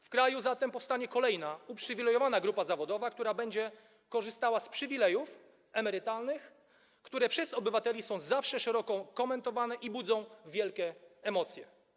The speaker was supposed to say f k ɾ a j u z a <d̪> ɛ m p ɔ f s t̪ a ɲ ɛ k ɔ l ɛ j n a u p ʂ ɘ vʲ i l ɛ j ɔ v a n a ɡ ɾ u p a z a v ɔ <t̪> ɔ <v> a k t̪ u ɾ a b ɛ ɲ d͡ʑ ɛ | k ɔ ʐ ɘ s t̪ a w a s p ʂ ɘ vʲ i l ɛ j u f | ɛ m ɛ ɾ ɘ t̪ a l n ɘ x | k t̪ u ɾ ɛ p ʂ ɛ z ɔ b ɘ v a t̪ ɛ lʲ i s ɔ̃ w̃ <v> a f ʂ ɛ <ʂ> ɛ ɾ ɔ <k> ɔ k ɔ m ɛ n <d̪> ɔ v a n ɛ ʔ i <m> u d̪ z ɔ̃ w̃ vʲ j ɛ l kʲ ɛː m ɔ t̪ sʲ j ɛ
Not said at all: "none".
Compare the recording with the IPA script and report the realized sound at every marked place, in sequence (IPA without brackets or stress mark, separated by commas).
t̪, d̪, v, z, ʂ, k, t̪, b